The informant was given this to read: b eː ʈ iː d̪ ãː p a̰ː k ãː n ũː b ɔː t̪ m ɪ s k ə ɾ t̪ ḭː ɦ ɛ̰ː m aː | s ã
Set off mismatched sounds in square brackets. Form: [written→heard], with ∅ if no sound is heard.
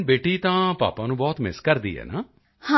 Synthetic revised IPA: b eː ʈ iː [d̪→t̪] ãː p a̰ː [k→p] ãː n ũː b ɔː t̪ m ɪ s k ə ɾ [t̪→d̪] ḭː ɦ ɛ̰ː [m→n] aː | [s→h] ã

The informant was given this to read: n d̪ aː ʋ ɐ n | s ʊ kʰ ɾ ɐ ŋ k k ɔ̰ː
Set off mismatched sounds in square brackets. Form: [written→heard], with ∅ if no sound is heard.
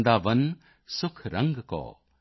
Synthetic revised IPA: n d̪ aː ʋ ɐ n | s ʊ kʰ ɾ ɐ ŋ [k→ɡ] k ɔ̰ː

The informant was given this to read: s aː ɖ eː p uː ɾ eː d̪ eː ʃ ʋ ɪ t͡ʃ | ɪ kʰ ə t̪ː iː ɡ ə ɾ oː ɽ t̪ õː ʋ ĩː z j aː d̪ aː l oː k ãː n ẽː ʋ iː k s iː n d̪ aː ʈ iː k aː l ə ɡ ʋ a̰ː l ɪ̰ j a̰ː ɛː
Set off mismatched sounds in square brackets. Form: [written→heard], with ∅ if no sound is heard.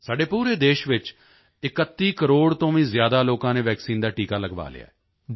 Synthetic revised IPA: s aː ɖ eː p uː ɾ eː d̪ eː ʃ ʋ ɪ t͡ʃ | ɪ [kʰ→k] ə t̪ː iː [ɡ→k] ə ɾ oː ɽ t̪ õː ʋ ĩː z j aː d̪ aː l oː k ãː n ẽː ʋ [iː→ɛː] k s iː n d̪ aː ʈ iː k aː l ə ɡ ʋ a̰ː l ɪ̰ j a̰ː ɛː

